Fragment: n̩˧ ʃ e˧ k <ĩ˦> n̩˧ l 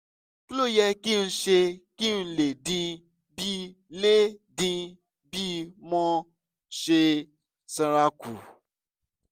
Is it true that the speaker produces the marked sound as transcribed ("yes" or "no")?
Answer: no